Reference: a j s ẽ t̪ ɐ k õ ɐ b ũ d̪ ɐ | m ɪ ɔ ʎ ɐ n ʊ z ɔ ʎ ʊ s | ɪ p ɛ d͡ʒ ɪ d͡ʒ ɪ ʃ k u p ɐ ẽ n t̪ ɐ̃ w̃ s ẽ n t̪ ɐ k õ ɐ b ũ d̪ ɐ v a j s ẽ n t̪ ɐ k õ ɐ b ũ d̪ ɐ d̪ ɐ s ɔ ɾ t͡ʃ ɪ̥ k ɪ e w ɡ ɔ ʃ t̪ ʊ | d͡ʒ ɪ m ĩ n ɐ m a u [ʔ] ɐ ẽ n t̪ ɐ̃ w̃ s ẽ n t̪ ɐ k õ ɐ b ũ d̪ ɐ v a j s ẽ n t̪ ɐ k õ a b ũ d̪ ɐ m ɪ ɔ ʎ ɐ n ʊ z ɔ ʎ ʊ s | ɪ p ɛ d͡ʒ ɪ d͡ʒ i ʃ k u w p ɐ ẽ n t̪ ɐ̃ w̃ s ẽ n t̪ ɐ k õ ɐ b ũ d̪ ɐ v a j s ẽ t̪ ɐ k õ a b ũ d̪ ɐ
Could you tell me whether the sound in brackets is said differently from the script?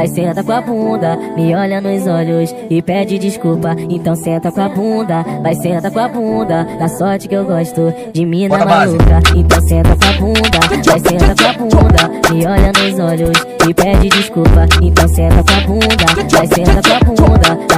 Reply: yes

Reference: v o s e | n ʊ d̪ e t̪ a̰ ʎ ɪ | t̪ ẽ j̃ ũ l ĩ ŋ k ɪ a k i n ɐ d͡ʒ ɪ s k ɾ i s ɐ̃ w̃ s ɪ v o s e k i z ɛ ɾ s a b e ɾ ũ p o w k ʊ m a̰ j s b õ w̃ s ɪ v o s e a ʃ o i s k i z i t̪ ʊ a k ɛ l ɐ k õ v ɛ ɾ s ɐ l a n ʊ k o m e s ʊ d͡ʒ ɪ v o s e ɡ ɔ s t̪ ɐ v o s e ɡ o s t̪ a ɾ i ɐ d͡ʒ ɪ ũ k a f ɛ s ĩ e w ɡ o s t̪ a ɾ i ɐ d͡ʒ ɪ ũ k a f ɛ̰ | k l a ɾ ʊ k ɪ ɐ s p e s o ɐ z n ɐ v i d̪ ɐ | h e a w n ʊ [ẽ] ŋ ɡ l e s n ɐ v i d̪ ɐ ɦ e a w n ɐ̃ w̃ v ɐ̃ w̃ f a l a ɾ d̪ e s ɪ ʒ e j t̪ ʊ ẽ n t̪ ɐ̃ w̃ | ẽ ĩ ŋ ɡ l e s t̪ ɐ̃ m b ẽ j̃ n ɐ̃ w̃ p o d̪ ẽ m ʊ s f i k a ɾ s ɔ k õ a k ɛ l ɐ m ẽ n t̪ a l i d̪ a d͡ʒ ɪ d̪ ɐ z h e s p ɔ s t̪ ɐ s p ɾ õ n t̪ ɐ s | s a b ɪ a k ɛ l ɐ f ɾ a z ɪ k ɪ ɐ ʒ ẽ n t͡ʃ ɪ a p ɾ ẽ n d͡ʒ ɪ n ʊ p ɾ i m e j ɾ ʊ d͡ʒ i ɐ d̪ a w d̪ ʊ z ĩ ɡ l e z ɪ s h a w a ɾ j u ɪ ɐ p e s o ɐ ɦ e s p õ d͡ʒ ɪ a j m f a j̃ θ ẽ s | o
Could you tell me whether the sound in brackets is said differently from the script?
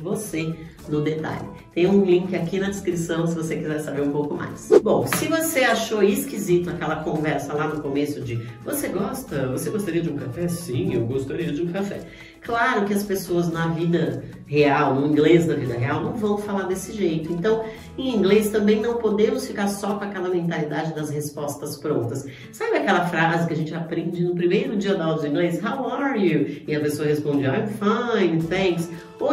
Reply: yes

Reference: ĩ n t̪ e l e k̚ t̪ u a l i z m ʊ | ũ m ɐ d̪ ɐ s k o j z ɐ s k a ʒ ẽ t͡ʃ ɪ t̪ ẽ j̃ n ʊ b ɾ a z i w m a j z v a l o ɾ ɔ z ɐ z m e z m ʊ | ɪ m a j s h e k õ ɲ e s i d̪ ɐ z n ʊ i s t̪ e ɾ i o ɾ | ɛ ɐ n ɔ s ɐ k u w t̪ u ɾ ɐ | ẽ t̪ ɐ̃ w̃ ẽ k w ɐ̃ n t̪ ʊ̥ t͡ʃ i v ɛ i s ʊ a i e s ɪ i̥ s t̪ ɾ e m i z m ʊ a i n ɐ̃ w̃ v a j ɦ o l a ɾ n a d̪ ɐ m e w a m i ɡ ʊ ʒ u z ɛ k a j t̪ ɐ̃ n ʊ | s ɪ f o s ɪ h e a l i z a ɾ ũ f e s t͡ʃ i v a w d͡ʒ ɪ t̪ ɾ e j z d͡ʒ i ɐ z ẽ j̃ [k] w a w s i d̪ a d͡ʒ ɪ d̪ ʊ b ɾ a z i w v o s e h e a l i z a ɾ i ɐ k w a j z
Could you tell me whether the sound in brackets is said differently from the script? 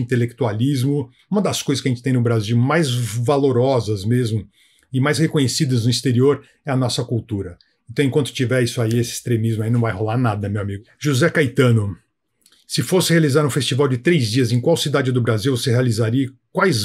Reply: no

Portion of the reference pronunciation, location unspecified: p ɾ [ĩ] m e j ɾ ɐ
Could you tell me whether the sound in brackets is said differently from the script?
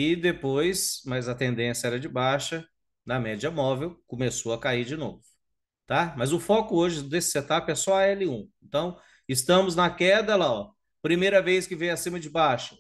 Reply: yes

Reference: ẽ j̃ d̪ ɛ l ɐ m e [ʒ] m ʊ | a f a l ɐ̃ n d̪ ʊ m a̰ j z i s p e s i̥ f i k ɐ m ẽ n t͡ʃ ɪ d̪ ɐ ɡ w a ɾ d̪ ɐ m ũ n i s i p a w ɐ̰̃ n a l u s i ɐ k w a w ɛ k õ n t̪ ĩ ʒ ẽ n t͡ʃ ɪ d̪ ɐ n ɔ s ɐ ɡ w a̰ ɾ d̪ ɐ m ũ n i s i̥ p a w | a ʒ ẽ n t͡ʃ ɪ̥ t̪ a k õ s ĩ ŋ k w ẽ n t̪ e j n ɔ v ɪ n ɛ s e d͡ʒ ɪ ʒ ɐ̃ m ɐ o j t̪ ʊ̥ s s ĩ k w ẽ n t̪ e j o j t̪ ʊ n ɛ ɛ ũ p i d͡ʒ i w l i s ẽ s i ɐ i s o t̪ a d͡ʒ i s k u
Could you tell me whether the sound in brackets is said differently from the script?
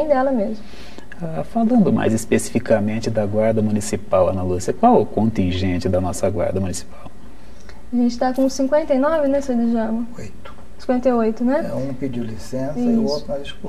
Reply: yes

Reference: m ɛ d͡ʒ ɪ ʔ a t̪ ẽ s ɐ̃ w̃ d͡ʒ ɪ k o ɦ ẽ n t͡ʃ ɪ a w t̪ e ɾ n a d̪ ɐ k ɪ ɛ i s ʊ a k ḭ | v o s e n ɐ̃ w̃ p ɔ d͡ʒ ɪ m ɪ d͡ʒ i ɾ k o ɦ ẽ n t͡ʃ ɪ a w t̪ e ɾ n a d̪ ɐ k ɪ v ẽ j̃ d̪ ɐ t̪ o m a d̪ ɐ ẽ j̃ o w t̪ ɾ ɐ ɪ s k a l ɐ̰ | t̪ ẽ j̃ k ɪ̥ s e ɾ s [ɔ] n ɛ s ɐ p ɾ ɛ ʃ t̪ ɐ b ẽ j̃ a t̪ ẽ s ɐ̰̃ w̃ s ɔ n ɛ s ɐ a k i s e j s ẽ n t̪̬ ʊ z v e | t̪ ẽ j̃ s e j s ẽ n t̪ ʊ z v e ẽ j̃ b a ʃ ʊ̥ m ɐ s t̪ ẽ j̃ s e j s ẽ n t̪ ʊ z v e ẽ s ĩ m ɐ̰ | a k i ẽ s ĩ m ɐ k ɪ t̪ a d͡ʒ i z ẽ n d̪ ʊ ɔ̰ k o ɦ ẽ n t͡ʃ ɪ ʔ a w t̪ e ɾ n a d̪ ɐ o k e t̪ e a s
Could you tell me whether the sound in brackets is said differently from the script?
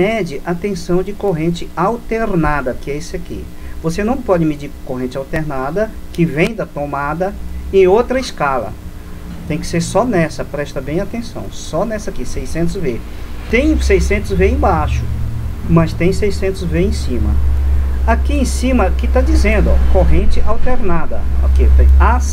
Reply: no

